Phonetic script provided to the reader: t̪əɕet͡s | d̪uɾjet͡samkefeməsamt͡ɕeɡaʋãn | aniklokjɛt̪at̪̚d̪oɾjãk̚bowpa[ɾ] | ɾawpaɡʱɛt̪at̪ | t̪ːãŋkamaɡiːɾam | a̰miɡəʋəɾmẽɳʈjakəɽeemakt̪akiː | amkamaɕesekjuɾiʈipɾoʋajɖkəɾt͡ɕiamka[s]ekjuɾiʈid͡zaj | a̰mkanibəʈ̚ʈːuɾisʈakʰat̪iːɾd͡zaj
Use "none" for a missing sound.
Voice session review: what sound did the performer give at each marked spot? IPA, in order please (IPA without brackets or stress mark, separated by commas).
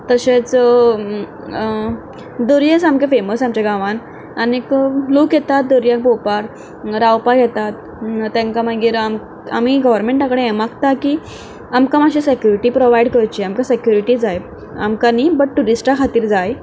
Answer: ɾ, s